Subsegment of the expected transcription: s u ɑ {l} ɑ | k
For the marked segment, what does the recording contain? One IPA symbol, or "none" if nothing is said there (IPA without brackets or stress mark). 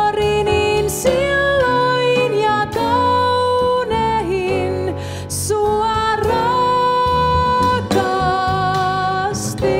r